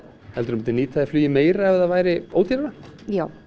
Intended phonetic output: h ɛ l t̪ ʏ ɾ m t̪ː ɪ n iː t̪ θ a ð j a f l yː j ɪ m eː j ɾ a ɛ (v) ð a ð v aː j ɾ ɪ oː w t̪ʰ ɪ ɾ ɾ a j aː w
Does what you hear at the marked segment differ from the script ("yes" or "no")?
no